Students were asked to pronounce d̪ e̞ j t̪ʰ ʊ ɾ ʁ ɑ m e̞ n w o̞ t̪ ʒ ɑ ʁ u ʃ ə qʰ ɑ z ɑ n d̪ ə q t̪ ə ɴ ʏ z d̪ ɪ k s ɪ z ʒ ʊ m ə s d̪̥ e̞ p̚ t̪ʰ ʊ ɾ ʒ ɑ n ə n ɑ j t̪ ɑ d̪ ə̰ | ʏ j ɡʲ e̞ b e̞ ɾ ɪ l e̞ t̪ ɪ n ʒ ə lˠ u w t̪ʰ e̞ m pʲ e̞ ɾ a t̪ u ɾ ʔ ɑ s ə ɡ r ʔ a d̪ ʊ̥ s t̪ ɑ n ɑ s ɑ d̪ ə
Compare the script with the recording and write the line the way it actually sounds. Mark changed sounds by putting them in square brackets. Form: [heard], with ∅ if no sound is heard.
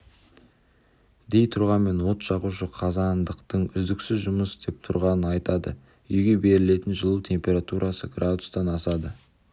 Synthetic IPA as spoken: d̪ e̞ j t̪ʰ ʊ ɾ ʁ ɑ m e̞ n w o̞ t̪ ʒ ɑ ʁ u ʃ ə qʰ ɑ z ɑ n d̪ ə q t̪ ə ɴ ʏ z d̪ ɪ k s ɪ z ʒ ʊ m ə s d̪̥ e̞ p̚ t̪ʰ ʊ ɾ [ʁ] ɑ n ə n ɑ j t̪ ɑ d̪ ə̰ | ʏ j ɡʲ e̞ b e̞ ɾ ɪ l e̞ t̪ ɪ n ʒ ə lˠ u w t̪ʰ e̞ m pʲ e̞ ɾ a t̪ u ɾ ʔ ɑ s ə ɡ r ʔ a d̪ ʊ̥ s t̪ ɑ n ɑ s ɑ d̪ ə

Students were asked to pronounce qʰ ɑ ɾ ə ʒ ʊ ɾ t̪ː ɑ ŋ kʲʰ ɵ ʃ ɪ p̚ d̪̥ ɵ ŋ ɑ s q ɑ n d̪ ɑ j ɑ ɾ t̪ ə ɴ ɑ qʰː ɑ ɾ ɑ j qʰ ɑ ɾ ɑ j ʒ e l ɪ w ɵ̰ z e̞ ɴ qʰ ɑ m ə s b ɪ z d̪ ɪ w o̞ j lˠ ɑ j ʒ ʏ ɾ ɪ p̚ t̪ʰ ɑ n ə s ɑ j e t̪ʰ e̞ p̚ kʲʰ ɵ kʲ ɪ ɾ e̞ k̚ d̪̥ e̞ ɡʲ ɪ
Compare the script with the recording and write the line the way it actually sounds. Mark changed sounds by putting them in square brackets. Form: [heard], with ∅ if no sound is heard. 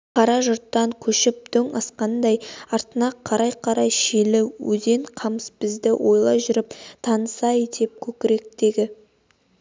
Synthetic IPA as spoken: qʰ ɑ ɾ [ɑ] ʒ ʊ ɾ t̪ː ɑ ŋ kʲʰ ɵ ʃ ɪ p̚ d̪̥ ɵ ŋ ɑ s q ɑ n d̪ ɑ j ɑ ɾ t̪ ə [n] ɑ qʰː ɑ ɾ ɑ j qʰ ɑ ɾ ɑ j [ʃ] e l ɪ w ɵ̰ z e̞ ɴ qʰ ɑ m ə s b ɪ z d̪ ɪ w o̞ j lˠ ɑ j ʒ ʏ ɾ ɪ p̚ t̪ʰ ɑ n ə s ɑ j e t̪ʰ e̞ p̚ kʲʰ ɵ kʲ ɪ ɾ e̞ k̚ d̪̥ e̞ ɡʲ ɪ

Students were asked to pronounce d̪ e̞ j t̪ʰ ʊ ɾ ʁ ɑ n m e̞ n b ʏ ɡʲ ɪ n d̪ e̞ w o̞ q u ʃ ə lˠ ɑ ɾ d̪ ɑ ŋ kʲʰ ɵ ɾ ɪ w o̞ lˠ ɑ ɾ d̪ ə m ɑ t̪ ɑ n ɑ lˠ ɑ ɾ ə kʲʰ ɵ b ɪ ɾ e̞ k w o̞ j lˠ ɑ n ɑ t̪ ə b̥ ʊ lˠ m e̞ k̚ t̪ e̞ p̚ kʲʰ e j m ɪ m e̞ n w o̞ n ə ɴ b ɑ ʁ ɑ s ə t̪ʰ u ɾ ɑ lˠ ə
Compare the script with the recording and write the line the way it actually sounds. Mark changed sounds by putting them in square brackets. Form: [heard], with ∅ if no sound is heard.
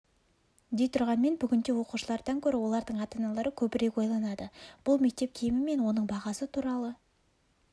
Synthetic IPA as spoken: d̪ e̞ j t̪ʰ ʊ ɾ ʁ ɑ n m e̞ n b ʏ ɡʲ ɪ n d̪ e̞ w o̞ q u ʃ ə lˠ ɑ ɾ d̪ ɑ ŋ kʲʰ ɵ ɾ ɪ w o̞ lˠ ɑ ɾ d̪ ə [ɴ] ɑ t̪ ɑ n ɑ lˠ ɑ ɾ ə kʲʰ ɵ b ɪ ɾ e̞ k w o̞ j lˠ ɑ n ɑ [d̪] ə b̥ ʊ lˠ m e̞ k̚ t̪ e̞ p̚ kʲʰ e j m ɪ m e̞ n w o̞ n ə ɴ b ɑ ʁ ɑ s ə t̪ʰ u ɾ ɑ lˠ ə

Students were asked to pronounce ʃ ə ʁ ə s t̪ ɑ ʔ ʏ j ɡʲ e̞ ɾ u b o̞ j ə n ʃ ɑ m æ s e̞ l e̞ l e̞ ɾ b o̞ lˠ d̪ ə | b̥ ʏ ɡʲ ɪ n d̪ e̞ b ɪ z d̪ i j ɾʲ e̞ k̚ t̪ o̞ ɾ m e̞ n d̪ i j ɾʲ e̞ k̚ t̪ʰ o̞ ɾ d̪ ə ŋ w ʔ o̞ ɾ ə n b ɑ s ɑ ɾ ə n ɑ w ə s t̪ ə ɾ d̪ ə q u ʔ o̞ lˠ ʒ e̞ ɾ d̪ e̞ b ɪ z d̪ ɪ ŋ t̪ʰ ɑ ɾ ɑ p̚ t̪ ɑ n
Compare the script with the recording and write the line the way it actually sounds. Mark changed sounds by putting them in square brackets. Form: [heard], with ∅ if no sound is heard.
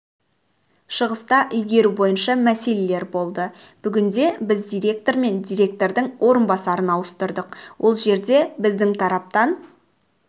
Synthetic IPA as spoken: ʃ ə ʁ ə s t̪ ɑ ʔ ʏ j ɡʲ e̞ ɾ u b o̞ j ə n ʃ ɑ m æ s e̞ l e̞ l e̞ ɾ b o̞ lˠ d̪ ə | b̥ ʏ ɡʲ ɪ n d̪ e̞ b ɪ z d̪ i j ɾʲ e̞ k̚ t̪ o̞ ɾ m e̞ n d̪ i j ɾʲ e̞ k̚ [t̪] o̞ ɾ d̪ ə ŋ w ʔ o̞ ɾ ə n b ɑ s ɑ ɾ ə n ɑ w ə s t̪ ə ɾ d̪ ə q [w] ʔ o̞ lˠ ʒ e̞ ɾ d̪ e̞ b ɪ z d̪ ɪ ŋ t̪ʰ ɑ ɾ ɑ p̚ t̪ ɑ n

